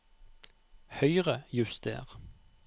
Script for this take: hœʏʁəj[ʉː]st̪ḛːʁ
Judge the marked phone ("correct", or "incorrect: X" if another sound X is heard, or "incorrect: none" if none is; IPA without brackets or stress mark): incorrect: ʉ